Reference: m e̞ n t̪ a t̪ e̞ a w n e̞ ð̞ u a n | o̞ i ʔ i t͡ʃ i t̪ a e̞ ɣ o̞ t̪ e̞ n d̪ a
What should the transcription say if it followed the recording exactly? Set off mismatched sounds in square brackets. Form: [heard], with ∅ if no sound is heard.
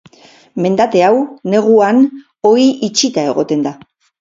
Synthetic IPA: m e̞ n [d̪] a t̪ e̞ a w n e̞ [ɣ̞] u a n | o̞ i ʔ i t͡ʃ i t̪ a e̞ ɣ o̞ t̪ e̞ n d̪ a

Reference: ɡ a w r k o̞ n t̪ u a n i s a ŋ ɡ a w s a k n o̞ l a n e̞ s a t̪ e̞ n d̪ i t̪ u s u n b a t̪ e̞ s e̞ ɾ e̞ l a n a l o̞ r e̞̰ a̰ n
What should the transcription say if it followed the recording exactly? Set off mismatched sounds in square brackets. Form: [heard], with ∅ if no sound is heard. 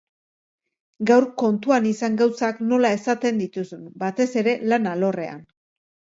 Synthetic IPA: ɡ a w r k o̞ n t̪ u a n i s a ŋ ɡ a w s a k n o̞ l a [∅] e̞ s a t̪ e̞ n d̪ i t̪ u s u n b a t̪ e̞ s e̞ ɾ e̞ l a n a l o̞ r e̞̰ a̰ n

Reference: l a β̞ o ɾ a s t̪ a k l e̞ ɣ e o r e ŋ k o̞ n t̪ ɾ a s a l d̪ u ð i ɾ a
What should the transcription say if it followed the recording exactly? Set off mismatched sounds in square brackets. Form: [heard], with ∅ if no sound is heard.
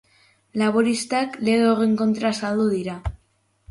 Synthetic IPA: l a β̞ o ɾ [i] s t̪ a k l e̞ ɣ e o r e ŋ k o̞ n t̪ ɾ a s a l d̪ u ð i ɾ a

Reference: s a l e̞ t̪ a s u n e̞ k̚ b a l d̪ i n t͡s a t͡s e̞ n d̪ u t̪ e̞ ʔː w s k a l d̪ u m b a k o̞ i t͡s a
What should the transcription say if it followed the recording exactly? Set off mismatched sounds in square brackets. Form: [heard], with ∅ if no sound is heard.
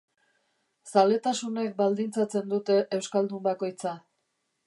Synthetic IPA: s a l e̞ t̪ a s u n e̞ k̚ b a l d̪ i n t͡s a t͡s e̞ n d̪ u t̪ e̞ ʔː w s k a l d̪ u m b a k o̞ [j] t͡s a

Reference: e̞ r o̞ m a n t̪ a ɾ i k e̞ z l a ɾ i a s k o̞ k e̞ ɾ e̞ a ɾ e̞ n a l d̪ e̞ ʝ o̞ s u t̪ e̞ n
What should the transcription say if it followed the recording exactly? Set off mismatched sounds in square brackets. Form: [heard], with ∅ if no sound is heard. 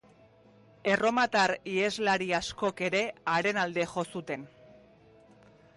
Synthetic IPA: e̞ r o̞ m a [∅] t̪ a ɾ i [∅] e̞ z l a ɾ i a s k o̞ k e̞ ɾ e̞ a ɾ e̞ n a l d̪ e̞ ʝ o̞ s u t̪ e̞ n

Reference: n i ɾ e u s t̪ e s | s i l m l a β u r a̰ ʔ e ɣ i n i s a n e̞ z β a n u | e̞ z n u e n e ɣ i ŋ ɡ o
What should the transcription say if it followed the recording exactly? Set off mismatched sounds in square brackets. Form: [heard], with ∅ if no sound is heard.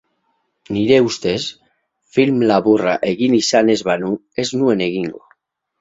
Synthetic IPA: n i ɾ e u s t̪ e s | [f] i l m l a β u r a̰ ʔ e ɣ i n i s a n e̞ z β a n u | e̞ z n u e n e ɣ i ŋ ɡ o

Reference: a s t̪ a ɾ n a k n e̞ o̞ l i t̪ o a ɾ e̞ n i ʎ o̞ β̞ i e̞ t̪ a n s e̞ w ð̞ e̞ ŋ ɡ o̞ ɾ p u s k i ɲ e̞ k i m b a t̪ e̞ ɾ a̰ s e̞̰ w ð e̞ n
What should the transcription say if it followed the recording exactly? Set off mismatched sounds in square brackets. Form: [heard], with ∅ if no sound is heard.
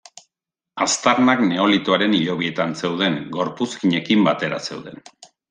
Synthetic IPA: a s t̪ a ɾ n a k n e̞ o̞ l i t̪ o a ɾ e̞ n i ʎ o̞ β̞ i e̞ t̪ a n s e̞ w ð̞ e̞ ŋ ɡ o̞ ɾ p u s k i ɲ e̞ k i m b a t̪ e̞ ɾ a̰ s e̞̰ w ð e̞ n

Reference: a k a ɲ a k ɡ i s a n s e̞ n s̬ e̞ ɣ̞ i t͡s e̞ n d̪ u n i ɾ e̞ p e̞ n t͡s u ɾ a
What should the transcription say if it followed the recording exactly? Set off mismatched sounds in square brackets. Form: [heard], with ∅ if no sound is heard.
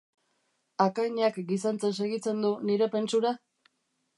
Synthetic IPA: a k a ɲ a k ɡ i s a n [t͡s] e̞ n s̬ e̞ ɣ̞ i t͡s e̞ n d̪ u n i ɾ e̞ p e̞ n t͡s u ɾ a

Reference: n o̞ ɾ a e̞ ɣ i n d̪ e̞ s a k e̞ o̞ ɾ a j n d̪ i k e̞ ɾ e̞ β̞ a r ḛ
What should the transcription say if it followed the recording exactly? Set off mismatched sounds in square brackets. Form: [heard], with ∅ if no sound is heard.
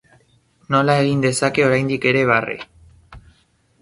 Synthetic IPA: n o̞ [l] a e̞ ɣ i n d̪ e̞ s a k e̞ o̞ ɾ a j n d̪ i k e̞ ɾ e̞ β̞ a r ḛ

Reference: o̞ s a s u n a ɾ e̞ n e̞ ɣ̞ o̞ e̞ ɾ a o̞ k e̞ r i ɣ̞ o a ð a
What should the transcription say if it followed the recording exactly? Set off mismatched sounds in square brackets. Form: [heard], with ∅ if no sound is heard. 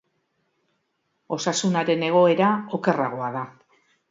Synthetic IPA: o̞ s a s u n a ɾ e̞ n e̞ ɣ̞ o̞ e̞ ɾ a o̞ k e̞ r [a] ɣ̞ o a ð a

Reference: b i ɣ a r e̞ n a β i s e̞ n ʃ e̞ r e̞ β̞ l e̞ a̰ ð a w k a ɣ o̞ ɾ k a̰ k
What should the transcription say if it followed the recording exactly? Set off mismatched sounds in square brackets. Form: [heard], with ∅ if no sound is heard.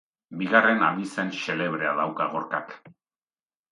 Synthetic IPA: b i ɣ a r e̞ n a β i s e̞ n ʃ e̞ [l] e̞ β̞ [ɾ] e̞ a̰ ð a w k a ɣ o̞ ɾ k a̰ k

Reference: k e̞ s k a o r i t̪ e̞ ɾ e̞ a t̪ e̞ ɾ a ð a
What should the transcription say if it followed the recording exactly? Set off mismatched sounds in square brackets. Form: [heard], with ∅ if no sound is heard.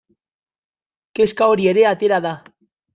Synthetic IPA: k e̞ s k a o [ɾ] i [∅] e̞ ɾ e̞ a t̪ e̞ ɾ a ð a

